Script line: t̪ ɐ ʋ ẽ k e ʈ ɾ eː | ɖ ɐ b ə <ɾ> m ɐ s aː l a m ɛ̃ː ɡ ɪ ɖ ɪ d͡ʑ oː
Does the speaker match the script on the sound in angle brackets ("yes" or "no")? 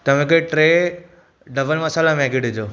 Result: no